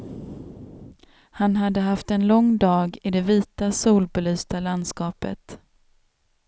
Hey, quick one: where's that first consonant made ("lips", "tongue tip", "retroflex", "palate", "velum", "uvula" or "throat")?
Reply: throat